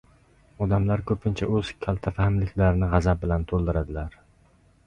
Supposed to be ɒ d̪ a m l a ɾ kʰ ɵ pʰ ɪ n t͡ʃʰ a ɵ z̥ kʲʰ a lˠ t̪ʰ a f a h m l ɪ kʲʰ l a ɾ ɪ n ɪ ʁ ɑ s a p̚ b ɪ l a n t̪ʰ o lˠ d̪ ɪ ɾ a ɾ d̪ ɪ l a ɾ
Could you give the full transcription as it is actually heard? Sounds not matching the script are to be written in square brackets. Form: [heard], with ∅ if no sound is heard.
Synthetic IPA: ɒ d̪ a m l a ɾ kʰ ɵ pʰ ɪ n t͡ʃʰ a ɵ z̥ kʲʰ a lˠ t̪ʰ a f a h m l ɪ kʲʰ l a ɾ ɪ n ɪ ʁ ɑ [z] a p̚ b ɪ l a n t̪ʰ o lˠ d̪ ɪ ɾ a [∅] d̪ ɪ l a ɾ